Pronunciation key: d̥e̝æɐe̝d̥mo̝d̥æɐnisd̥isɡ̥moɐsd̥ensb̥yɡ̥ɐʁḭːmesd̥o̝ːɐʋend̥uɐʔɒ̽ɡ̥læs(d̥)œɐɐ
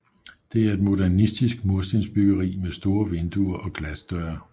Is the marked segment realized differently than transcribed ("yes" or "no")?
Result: no